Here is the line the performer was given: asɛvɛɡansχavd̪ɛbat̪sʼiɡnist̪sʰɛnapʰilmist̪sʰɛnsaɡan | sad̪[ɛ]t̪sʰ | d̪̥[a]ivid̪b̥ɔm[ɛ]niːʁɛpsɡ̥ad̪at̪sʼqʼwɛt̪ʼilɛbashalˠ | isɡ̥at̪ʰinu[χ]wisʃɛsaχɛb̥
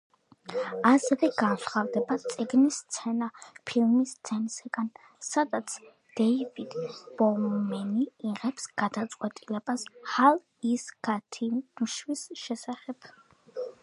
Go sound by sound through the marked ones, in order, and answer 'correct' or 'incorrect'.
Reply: incorrect: a, incorrect: ɛ, correct, incorrect: ʃ

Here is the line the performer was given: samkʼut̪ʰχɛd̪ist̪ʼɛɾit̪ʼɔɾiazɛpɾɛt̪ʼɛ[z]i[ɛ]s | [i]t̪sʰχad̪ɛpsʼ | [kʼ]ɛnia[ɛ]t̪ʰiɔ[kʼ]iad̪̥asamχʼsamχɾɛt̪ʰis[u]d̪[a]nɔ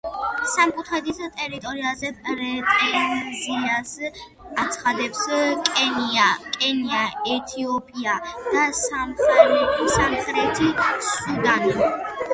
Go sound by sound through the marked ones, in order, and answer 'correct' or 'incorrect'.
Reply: correct, incorrect: a, incorrect: a, correct, correct, incorrect: pʼ, correct, correct

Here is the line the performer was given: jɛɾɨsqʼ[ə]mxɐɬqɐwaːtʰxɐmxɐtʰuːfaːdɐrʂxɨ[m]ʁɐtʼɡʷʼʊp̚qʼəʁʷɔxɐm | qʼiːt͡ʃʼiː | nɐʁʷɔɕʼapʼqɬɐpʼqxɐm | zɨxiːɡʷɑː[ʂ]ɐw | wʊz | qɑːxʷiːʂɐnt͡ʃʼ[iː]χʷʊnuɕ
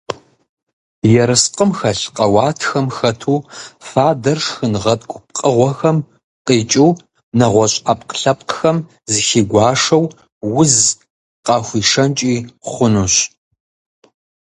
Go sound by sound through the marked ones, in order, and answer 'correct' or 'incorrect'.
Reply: correct, incorrect: n, correct, correct

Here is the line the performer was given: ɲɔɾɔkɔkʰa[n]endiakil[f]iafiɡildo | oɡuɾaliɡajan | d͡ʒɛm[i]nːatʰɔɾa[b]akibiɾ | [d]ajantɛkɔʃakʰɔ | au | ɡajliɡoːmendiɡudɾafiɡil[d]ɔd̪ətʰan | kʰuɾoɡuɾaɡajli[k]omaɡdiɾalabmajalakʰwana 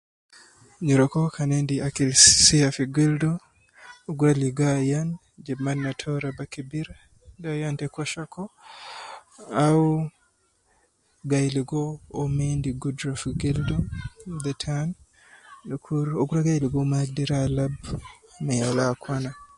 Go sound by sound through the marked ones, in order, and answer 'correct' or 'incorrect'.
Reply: correct, incorrect: s, incorrect: a, correct, correct, correct, incorrect: ɡ

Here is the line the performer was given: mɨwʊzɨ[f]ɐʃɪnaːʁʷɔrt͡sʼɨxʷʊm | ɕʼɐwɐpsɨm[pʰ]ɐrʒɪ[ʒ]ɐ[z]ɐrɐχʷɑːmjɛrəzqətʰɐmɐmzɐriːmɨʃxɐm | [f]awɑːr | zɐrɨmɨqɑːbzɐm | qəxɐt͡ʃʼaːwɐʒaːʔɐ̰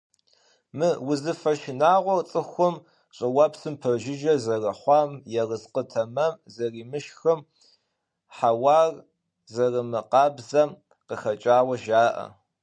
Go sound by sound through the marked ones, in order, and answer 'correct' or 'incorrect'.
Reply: correct, correct, correct, correct, incorrect: ħ

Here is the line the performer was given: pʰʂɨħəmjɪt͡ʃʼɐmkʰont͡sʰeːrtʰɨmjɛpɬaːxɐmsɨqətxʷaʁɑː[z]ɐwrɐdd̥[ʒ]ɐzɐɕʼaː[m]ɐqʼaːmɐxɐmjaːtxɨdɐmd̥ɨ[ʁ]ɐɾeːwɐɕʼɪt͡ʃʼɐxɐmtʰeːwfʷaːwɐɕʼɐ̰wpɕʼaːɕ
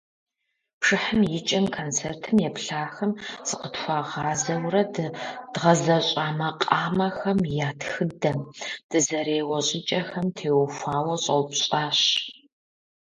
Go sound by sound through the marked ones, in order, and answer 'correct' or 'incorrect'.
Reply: correct, incorrect: ʁ, correct, incorrect: z

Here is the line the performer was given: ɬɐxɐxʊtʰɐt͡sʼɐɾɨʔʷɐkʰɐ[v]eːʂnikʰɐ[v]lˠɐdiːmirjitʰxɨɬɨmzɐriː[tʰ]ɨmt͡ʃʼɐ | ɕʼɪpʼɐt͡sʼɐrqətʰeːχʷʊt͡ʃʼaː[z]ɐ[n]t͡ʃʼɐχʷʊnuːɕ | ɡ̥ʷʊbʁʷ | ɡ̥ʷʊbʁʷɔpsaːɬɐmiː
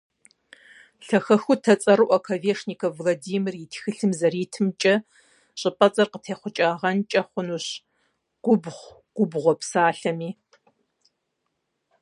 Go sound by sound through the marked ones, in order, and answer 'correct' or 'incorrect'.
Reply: correct, correct, correct, incorrect: ʁ, correct

